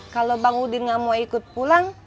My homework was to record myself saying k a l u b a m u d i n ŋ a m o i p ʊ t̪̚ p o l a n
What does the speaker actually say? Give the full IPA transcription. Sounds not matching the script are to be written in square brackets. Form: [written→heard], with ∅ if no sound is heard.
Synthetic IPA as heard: k a l [u→o] b a [m→ŋ] u d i n ŋ a m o i [p→k] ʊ t̪̚ p [o→u] l a [n→ŋ]